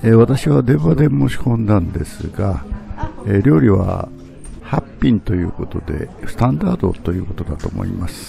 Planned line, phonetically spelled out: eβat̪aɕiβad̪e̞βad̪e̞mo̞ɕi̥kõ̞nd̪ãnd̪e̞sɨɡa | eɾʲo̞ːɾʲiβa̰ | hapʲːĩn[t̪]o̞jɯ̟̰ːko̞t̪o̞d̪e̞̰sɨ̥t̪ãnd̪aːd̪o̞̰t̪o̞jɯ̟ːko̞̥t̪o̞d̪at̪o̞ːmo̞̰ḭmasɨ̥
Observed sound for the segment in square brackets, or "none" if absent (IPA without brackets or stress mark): t̪